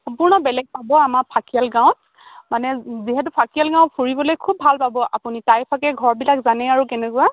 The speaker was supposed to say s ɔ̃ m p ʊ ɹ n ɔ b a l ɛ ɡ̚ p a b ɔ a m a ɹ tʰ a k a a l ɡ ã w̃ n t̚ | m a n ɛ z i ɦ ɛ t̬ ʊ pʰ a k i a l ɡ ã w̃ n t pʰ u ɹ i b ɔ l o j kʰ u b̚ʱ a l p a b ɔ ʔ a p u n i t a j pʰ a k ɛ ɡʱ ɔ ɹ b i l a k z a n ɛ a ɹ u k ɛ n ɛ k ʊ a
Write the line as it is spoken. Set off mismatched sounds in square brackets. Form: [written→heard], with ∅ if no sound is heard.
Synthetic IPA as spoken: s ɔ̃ m p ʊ ɹ n ɔ b [a→ɛ] l ɛ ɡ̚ p a b ɔ a m a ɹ [tʰ→pʰ] a k [a→i] a l ɡ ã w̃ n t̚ | m a n ɛ z i ɦ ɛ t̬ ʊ pʰ a k i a l ɡ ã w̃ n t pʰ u ɹ i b ɔ l o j kʰ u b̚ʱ a l p a b ɔ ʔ a p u n i t a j pʰ a k ɛ ɡʱ ɔ ɹ b i l a k z a n ɛ a ɹ u k ɛ n ɛ k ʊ a